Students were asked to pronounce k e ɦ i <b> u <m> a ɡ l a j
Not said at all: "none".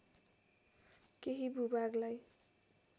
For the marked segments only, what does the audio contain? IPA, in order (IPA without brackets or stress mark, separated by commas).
b, b